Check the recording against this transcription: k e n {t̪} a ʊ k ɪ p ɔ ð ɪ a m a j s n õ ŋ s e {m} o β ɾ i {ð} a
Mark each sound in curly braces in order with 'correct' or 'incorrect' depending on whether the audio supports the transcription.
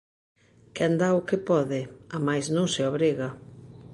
incorrect: d̪, incorrect: none, incorrect: ɣ

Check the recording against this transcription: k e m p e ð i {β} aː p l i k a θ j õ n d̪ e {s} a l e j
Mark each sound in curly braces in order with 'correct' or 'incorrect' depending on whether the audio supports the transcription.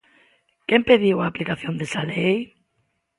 incorrect: w, correct

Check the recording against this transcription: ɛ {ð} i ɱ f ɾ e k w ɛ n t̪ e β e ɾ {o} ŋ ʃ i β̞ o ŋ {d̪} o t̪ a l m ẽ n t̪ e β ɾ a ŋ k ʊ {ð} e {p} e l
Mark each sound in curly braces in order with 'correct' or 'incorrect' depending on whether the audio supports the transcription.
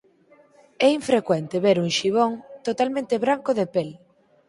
incorrect: none, incorrect: u, incorrect: t̪, correct, correct

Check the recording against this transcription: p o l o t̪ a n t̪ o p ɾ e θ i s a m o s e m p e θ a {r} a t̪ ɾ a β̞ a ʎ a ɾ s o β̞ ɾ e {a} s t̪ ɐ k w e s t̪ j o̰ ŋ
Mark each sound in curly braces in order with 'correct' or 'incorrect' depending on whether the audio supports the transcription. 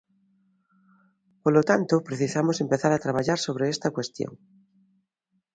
incorrect: ɾ, incorrect: e

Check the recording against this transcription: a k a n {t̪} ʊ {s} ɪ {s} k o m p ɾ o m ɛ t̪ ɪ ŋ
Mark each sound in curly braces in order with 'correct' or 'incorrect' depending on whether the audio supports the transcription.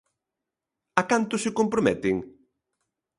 correct, correct, incorrect: none

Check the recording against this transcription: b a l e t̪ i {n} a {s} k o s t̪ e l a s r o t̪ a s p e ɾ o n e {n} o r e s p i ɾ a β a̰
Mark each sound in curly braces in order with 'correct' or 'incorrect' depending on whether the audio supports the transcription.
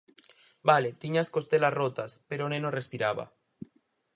incorrect: ɲ, correct, correct

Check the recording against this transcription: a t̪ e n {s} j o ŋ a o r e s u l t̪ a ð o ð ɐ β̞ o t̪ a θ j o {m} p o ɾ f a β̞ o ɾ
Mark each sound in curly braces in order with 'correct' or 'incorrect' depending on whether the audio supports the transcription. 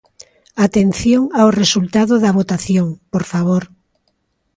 incorrect: θ, incorrect: ŋ

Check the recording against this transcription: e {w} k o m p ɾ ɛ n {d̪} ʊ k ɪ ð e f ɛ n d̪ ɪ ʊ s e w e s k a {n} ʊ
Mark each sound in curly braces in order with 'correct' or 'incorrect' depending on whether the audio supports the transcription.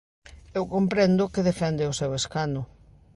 correct, correct, correct

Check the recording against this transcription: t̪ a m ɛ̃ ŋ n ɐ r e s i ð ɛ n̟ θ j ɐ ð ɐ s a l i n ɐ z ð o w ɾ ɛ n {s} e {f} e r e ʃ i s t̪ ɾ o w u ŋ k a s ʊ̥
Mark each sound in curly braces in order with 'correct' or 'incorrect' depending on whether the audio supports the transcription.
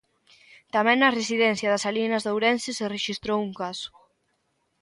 correct, incorrect: s

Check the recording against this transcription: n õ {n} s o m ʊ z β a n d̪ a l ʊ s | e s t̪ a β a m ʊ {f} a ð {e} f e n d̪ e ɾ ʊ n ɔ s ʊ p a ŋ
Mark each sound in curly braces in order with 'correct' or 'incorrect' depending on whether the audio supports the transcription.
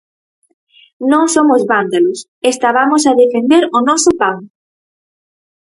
incorrect: ŋ, incorrect: s, correct

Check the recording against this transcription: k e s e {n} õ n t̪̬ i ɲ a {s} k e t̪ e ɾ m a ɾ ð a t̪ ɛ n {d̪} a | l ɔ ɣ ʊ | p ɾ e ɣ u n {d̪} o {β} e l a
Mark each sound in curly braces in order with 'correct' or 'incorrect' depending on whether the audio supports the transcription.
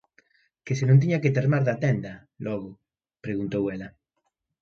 correct, incorrect: none, correct, incorrect: t̪, incorrect: w

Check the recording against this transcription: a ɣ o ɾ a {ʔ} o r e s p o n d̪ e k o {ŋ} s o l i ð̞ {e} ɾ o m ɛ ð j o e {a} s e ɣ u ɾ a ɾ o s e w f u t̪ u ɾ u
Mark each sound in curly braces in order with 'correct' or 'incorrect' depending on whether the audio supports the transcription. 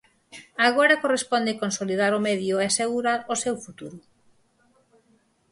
incorrect: k, incorrect: n, incorrect: a, correct

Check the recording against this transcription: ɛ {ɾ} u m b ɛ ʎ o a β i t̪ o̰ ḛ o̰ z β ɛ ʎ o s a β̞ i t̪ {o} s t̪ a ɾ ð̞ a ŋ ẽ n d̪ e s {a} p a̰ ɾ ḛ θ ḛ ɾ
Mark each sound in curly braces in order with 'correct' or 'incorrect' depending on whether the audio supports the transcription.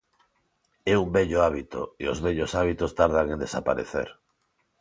incorrect: none, correct, correct

